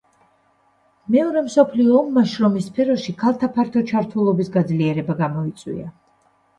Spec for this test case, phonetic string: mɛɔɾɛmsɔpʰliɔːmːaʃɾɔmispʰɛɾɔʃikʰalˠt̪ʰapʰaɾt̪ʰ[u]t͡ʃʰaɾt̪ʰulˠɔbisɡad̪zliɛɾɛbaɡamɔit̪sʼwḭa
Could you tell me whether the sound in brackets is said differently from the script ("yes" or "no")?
yes